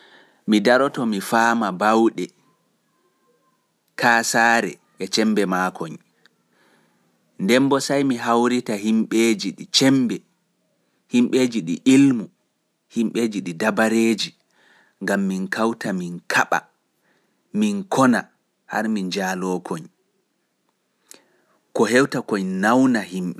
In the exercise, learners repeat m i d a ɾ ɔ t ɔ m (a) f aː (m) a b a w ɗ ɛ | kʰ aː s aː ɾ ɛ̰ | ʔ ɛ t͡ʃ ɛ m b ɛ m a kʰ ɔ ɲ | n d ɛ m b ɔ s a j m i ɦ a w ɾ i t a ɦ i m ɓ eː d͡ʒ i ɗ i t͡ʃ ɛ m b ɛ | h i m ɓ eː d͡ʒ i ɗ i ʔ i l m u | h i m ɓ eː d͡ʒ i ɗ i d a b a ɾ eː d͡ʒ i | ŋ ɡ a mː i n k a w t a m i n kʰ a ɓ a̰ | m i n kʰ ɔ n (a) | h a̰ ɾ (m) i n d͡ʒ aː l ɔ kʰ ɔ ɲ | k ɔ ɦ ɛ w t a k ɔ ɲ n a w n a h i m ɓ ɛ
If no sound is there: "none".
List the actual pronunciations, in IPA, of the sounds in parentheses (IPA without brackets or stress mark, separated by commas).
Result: i, m, a, m